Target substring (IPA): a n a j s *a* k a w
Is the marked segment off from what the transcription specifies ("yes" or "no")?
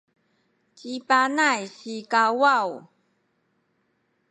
yes